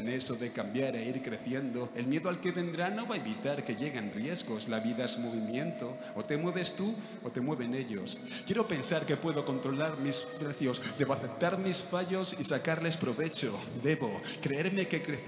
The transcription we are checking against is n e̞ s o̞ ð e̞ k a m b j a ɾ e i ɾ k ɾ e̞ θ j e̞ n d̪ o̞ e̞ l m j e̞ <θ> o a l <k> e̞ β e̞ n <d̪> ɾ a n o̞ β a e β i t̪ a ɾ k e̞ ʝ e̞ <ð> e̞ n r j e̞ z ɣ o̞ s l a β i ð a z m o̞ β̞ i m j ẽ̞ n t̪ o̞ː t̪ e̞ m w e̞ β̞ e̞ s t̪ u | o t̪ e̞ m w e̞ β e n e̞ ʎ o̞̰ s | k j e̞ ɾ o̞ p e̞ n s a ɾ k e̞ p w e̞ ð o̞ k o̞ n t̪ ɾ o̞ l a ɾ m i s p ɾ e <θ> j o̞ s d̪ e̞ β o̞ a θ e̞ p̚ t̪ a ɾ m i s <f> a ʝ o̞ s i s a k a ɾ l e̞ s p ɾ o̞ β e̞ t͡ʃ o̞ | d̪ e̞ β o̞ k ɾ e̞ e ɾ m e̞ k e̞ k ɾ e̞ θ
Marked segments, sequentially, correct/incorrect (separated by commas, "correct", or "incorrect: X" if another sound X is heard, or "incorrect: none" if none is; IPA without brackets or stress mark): incorrect: ð, correct, correct, incorrect: ɣ, correct, correct